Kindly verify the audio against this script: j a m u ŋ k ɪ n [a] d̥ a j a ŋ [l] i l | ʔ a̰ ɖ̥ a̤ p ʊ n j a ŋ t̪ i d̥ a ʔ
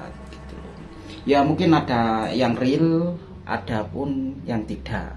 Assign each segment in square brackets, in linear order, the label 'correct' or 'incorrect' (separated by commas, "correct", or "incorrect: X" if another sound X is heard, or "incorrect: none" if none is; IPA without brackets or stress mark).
correct, incorrect: r